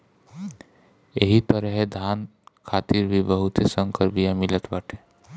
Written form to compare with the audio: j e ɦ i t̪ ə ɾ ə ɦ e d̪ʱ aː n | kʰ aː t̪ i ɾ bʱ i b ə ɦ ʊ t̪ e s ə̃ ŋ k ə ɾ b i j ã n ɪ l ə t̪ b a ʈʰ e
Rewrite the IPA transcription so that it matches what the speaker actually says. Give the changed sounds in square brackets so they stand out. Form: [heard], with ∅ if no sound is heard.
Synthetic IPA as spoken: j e ɦ i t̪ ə ɾ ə ɦ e d̪ʱ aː n | kʰ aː t̪ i ɾ bʱ i b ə ɦ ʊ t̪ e s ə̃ ŋ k ə ɾ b i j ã [m] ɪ l ə t̪ b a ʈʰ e